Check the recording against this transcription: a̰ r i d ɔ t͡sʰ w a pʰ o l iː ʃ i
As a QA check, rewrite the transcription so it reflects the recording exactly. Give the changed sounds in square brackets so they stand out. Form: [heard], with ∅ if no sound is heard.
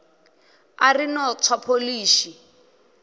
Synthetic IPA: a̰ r i [n] ɔ t͡sʰ w a pʰ o l iː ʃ i